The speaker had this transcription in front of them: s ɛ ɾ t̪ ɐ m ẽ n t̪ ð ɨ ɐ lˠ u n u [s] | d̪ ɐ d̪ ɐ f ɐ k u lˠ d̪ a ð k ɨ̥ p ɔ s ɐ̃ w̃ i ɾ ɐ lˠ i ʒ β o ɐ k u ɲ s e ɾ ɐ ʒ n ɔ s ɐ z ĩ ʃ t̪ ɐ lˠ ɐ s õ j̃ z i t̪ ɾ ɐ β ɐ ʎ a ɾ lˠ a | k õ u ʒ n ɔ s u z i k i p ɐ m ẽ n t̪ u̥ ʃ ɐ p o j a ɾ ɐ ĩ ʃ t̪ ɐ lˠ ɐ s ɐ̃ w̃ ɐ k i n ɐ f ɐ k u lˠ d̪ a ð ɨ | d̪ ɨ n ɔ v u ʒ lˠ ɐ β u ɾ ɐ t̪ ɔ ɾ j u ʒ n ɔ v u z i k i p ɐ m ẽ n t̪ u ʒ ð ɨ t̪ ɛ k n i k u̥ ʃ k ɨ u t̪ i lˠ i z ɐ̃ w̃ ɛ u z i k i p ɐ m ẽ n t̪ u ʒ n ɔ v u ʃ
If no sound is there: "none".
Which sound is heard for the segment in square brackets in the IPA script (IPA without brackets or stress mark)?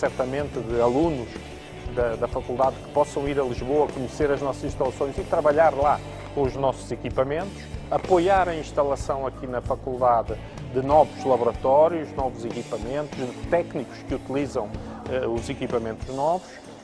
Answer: ʃ